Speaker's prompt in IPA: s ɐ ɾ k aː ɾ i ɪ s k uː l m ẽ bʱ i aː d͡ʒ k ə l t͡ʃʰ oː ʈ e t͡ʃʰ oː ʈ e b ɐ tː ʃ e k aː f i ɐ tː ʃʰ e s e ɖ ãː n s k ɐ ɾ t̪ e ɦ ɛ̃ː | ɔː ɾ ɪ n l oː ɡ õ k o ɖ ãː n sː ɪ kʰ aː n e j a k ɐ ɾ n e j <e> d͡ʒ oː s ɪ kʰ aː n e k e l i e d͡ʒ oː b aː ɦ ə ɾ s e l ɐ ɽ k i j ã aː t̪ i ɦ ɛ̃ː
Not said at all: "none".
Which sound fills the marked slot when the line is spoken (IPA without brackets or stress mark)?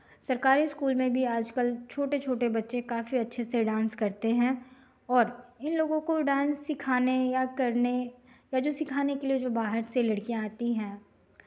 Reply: a